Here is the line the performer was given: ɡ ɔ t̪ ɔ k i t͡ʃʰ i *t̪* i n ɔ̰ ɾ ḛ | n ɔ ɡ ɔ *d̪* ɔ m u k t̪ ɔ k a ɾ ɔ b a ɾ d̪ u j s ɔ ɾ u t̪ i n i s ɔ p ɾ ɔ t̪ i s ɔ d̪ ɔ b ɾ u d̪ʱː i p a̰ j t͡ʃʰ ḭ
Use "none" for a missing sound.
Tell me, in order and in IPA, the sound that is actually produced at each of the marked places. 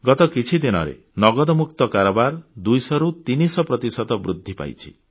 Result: d̪, d̪

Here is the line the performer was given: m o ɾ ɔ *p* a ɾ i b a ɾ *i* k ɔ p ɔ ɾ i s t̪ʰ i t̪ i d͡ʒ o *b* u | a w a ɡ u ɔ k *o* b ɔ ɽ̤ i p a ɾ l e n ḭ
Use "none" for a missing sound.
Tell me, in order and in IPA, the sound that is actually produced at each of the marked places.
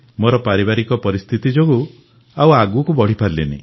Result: p, i, ɡ, u

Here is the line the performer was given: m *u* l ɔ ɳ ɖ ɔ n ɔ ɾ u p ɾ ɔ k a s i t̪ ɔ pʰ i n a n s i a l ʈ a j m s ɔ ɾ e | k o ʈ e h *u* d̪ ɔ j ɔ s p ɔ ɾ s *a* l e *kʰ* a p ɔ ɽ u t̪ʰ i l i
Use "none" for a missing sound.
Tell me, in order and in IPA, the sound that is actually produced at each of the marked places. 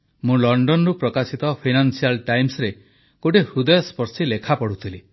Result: ũ, u, i, kʰ

